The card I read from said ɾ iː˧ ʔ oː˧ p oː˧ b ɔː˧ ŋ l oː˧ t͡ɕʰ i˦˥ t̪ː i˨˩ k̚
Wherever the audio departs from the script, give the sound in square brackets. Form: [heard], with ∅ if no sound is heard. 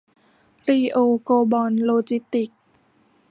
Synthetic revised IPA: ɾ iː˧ ʔ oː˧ [k] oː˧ b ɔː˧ [n] l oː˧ [t͡ɕ] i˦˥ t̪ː i˨˩ k̚

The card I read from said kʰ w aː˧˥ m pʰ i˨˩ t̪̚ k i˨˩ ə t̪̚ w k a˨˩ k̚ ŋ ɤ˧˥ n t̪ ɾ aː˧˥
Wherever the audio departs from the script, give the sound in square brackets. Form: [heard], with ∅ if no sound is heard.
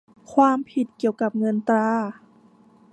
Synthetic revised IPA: kʰ w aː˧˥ m pʰ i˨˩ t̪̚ k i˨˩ ə [∅] w k a˨˩ [p̚] ŋ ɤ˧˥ n t̪ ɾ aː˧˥

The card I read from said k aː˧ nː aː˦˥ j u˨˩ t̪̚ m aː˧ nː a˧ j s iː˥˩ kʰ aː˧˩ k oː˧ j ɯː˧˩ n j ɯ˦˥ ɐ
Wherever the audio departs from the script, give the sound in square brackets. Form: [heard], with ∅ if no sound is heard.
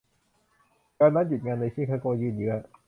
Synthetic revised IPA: k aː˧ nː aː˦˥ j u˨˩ t̪̚ [ŋ] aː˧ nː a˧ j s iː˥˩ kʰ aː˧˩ k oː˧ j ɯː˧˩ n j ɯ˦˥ ɐ

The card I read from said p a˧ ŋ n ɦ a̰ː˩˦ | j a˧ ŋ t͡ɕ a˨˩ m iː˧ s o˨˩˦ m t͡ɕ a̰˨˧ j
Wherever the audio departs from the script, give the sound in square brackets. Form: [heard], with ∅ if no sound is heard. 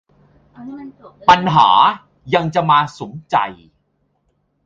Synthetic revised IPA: p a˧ [∅] n ɦ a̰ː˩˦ | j a˧ ŋ t͡ɕ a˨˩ m [aː˧] s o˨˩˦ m t͡ɕ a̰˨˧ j

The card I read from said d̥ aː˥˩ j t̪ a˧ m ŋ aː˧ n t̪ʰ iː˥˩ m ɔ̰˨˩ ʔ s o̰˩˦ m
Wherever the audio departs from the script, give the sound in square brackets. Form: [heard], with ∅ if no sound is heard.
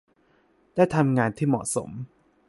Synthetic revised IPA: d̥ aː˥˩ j [t̪ʰ] a˧ m ŋ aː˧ n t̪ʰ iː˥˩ m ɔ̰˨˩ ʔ s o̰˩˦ m

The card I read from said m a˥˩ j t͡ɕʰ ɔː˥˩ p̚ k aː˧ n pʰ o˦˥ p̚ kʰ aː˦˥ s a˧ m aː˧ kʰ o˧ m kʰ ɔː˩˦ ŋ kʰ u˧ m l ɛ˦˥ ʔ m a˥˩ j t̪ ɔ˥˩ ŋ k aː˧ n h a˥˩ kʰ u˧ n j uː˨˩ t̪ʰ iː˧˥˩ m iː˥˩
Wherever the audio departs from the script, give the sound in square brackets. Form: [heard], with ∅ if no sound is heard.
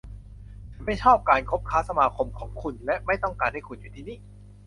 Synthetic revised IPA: m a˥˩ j t͡ɕʰ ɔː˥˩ p̚ k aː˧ n [kʰ] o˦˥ p̚ kʰ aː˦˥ s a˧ m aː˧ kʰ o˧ m kʰ ɔː˩˦ ŋ kʰ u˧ [n] l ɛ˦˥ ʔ m a˥˩ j t̪ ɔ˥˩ ŋ k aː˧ n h a˥˩ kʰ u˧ n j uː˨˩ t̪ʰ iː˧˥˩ [n] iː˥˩

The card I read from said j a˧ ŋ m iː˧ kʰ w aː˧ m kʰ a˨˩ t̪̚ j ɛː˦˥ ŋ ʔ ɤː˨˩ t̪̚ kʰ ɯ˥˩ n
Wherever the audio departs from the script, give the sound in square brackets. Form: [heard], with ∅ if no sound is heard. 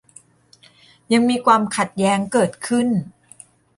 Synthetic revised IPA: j a˧ ŋ m iː˧ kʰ w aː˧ m kʰ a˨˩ t̪̚ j ɛː˦˥ ŋ [k] ɤː˨˩ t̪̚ kʰ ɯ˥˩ n

